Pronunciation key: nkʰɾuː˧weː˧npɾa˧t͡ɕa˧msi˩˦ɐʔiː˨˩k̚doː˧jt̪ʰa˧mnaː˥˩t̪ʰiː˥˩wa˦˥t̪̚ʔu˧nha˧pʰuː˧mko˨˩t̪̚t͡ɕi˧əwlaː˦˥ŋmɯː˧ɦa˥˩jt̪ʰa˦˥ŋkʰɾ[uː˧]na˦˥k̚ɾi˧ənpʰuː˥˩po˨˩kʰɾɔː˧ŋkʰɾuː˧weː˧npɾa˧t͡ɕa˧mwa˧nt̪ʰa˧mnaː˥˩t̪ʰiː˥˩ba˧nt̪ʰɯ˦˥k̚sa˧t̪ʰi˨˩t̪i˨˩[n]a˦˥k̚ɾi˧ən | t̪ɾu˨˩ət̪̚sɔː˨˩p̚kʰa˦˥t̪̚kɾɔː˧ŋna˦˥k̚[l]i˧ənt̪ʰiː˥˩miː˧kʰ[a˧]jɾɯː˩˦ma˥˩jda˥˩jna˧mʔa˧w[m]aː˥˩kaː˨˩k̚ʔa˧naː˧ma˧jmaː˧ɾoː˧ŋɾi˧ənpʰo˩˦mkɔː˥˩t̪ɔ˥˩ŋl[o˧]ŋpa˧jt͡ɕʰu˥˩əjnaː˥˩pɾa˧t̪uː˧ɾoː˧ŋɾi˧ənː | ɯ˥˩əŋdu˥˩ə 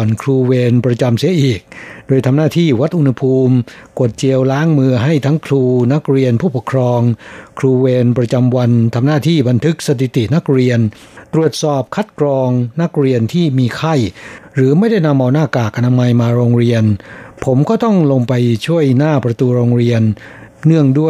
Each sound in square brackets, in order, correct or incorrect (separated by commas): correct, correct, incorrect, incorrect, incorrect, correct